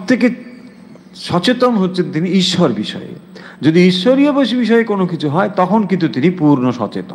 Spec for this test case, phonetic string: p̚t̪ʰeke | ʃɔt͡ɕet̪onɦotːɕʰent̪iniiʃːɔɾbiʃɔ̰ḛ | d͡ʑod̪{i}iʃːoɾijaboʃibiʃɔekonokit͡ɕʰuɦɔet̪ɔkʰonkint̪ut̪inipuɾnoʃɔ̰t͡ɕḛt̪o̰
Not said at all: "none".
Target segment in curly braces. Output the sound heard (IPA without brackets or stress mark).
i